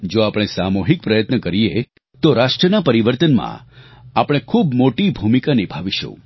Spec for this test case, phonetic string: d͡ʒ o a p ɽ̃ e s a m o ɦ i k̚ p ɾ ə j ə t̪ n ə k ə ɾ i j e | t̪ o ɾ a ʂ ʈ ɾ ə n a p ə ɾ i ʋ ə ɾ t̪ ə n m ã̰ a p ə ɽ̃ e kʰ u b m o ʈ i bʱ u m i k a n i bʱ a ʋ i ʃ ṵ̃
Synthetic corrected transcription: d͡ʒ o a p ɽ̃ e s a m o ɦ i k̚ p ɾ ə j ə t̪ n ə k ə ɾ i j e | t̪ o ɾ a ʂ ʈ ɾ ə n a p ə ɾ i ʋ ə ɾ t̪ ə n m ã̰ a p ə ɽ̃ e kʰ u b m o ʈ i bʱ u m i k a n i bʱ a ʋ i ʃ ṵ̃